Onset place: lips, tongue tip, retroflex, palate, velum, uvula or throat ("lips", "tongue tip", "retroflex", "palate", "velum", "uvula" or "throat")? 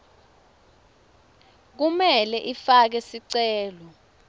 velum